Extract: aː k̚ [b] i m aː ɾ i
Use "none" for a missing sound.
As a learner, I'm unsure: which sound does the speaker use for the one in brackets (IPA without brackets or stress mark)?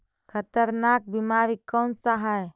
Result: b